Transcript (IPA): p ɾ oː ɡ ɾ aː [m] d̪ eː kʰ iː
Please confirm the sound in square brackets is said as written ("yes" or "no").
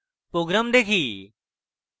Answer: yes